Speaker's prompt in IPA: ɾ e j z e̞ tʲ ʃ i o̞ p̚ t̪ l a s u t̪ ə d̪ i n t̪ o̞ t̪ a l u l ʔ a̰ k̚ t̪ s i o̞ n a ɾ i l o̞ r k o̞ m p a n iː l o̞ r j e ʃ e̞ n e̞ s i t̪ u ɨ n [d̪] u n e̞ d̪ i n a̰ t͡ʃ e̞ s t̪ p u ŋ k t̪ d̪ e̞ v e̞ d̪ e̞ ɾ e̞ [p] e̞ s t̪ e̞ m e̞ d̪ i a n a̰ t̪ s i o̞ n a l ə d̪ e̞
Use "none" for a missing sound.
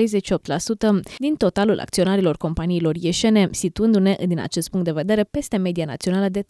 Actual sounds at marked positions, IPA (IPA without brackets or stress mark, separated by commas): d̪, p